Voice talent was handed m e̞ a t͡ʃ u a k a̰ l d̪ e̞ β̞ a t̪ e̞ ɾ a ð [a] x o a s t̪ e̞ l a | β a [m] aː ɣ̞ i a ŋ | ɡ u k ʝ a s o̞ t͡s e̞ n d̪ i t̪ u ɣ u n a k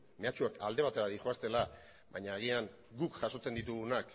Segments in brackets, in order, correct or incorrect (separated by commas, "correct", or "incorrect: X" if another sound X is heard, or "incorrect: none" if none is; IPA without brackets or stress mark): incorrect: i, incorrect: ɲ